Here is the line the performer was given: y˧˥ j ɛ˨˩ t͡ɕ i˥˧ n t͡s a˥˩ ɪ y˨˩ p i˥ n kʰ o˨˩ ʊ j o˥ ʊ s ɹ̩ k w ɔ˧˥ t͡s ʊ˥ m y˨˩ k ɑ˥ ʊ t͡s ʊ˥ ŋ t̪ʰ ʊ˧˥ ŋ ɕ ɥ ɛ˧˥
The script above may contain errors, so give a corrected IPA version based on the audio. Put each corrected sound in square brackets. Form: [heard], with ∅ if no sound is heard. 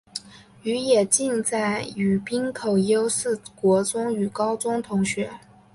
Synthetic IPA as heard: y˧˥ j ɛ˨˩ t͡ɕ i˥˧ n t͡s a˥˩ ɪ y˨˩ p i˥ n kʰ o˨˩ ʊ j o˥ ʊ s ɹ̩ k w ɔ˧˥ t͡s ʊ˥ [ŋ] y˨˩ k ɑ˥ ʊ t͡s ʊ˥ ŋ t̪ʰ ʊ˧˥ ŋ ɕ ɥ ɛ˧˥